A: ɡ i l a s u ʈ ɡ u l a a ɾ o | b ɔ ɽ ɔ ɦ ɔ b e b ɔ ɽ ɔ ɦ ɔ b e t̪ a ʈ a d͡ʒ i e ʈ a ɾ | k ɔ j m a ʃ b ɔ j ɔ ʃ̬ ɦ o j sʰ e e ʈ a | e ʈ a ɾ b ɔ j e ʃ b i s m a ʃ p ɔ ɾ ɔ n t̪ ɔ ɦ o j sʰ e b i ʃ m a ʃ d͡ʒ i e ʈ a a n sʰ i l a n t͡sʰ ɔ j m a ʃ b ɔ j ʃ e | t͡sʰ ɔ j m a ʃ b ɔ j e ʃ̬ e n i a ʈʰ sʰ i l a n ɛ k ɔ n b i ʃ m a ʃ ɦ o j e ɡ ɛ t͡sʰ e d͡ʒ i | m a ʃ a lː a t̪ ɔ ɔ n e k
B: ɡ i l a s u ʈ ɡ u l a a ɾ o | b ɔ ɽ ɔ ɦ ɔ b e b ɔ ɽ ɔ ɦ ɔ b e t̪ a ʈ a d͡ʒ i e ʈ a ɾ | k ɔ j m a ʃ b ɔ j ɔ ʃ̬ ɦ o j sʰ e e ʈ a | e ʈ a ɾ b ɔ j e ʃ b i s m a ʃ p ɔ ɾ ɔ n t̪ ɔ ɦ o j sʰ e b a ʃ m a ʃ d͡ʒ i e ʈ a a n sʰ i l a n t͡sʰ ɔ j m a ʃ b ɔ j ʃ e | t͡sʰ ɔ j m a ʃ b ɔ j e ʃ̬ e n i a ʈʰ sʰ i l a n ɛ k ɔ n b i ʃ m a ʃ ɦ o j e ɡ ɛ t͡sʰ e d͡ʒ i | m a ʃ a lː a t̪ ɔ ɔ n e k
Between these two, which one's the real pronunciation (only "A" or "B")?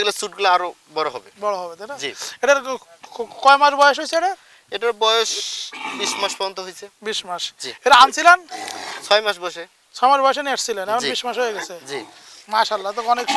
A